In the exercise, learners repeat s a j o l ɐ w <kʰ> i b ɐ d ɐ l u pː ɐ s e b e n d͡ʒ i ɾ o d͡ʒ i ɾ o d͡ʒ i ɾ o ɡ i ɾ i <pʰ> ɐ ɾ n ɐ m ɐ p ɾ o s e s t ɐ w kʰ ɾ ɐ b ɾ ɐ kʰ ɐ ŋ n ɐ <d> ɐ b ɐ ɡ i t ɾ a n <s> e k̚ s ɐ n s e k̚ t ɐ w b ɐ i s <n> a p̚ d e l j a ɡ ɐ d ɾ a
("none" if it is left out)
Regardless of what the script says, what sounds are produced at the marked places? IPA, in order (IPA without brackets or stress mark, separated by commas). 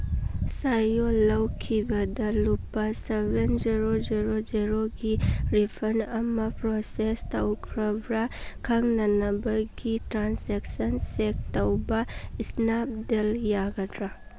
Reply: kʰ, pʰ, n, s, n